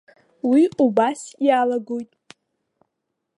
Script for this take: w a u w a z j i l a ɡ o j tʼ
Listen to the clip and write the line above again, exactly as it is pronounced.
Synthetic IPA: w i u b a s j a l a ɡ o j tʼ